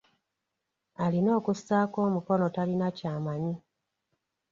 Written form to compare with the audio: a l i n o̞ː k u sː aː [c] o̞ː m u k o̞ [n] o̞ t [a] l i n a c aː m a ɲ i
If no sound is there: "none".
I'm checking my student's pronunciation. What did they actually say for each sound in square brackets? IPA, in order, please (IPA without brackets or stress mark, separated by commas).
k, n, a